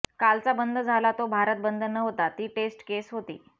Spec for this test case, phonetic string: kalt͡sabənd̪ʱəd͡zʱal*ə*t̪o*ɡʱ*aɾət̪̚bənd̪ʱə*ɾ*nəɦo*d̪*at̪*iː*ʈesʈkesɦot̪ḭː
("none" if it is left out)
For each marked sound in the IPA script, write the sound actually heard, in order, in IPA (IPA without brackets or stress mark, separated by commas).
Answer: a, bʱ, none, t̪, iː